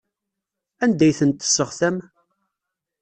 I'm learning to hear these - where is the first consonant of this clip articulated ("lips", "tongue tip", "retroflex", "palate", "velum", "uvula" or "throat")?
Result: tongue tip